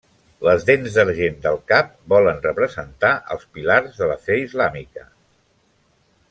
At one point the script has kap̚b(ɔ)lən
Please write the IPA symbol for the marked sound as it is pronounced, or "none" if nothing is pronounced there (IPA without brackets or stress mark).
ɔ